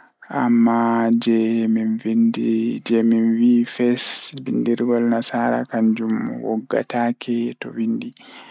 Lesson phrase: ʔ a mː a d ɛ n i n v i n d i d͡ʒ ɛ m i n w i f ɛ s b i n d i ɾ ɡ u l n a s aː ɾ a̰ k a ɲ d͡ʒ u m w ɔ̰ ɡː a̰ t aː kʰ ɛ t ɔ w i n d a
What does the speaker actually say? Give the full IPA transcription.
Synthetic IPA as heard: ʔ a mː a d͡ʒ ɛ m i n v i n d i d͡ʒ ɛ m i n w i f ɛ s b i n d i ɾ ɡ ɔ l n a s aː ɾ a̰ k a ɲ d͡ʒ u m w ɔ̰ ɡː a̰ t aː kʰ ɛ t ɔ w i n d i